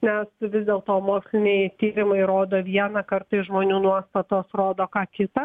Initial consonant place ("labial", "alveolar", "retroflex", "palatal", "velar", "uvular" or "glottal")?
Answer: alveolar